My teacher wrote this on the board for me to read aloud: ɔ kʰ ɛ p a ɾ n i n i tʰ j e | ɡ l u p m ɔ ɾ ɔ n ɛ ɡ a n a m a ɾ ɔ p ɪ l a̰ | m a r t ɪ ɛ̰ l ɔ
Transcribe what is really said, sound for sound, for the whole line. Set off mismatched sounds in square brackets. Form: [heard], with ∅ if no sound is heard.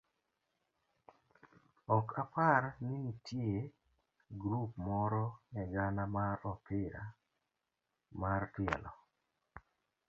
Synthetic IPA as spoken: ɔ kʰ [a] p a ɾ n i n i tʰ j e | ɡ [ɾ] u p m ɔ ɾ ɔ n ɛ ɡ a n a m a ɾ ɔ p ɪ [ɾ] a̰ | m a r t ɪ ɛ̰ l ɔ